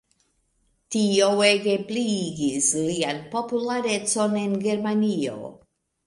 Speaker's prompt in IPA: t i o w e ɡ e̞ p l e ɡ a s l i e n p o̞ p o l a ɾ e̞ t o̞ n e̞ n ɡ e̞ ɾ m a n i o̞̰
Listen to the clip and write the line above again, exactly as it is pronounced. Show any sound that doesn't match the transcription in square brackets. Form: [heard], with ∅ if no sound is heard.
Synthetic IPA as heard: t i o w e ɡ e̞ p l [i] ɡ [i] s l i [a] n p o̞ p [u] l a ɾ e̞ [t͡s] o̞ n e̞ n ɡ e̞ ɾ m a n i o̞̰